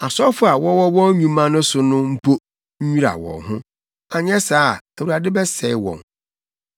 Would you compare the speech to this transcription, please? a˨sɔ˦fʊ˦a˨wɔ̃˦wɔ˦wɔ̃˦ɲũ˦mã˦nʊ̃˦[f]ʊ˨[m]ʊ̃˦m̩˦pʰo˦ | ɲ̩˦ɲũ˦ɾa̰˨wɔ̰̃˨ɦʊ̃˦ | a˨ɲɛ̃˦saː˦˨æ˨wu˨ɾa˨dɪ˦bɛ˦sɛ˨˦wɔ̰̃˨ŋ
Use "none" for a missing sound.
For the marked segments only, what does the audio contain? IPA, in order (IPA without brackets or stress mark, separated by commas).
s, n